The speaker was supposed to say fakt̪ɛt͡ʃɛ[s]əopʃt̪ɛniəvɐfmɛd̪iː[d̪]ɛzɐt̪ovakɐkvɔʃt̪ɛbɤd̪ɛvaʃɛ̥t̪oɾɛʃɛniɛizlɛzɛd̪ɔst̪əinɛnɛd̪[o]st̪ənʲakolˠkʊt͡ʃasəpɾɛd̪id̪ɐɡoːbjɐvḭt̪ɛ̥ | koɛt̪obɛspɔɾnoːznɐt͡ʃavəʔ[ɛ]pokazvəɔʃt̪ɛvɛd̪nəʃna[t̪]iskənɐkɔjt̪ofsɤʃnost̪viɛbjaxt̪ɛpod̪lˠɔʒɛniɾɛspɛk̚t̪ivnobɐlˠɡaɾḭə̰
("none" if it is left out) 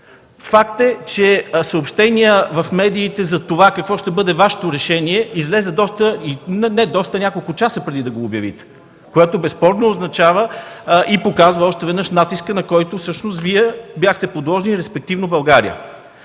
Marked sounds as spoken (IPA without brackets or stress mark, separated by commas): s, t̪, ɔ, i, t̪